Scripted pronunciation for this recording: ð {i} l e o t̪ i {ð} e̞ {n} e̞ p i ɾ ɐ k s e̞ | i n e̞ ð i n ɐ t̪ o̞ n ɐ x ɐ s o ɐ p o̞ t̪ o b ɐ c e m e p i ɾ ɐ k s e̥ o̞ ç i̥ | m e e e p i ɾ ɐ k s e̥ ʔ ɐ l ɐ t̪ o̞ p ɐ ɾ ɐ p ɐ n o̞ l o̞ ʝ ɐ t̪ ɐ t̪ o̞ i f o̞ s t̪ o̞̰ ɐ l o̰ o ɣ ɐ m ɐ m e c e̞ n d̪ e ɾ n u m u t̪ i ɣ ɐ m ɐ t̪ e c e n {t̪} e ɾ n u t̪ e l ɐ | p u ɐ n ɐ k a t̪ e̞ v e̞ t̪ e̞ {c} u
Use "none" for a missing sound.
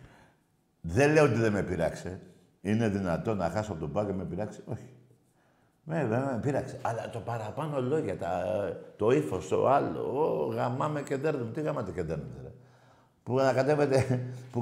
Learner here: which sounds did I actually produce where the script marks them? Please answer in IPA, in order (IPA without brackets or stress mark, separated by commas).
e, ð, m, d̪, p